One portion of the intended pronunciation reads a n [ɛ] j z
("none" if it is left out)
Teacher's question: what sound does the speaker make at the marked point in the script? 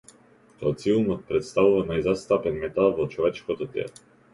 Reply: a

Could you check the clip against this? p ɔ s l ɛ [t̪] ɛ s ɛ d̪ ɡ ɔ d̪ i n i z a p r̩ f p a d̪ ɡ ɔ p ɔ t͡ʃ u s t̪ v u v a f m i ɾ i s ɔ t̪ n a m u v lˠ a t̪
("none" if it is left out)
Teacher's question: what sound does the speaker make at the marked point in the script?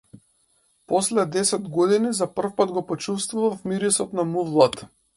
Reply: d̪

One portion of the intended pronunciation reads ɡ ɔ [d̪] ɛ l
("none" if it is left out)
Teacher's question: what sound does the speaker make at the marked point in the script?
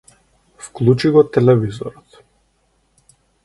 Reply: t̪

